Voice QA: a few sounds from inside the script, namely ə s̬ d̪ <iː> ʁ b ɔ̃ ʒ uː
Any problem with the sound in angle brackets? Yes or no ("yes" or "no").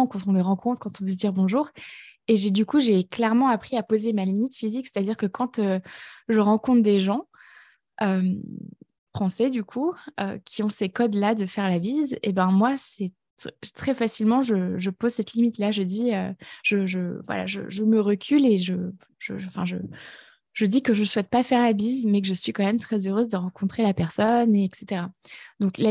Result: yes